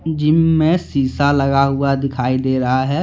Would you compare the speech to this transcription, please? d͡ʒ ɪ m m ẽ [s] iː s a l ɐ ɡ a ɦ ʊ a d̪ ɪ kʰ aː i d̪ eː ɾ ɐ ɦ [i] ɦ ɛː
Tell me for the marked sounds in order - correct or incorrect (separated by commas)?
correct, incorrect